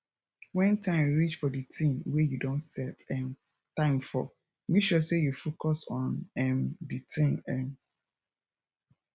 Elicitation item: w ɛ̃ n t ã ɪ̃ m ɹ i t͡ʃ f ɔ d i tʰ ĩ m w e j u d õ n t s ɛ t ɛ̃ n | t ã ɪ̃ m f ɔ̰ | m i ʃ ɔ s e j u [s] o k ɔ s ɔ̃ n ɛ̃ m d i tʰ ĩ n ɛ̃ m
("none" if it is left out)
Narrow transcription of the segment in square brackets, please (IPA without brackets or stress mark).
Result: f